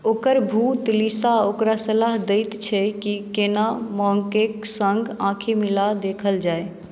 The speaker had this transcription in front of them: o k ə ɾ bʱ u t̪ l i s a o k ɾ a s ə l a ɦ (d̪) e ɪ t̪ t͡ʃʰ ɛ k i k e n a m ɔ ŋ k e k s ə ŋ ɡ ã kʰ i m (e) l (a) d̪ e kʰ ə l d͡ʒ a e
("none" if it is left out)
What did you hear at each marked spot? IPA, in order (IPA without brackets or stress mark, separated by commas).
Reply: d̪, i, a